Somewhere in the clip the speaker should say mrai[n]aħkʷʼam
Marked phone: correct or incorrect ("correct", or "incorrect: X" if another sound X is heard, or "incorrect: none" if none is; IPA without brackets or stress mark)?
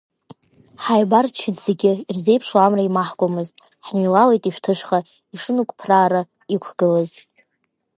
incorrect: m